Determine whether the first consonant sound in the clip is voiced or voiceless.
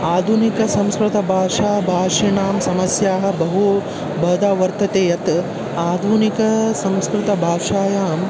voiced